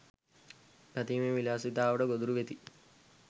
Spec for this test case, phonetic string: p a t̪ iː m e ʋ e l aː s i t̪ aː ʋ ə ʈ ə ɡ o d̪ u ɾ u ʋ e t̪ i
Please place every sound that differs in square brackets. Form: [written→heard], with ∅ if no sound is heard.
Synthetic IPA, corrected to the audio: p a t̪ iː m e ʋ [e→i] l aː s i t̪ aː ʋ ə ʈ ə ɡ o d̪ u ɾ u ʋ e t̪ i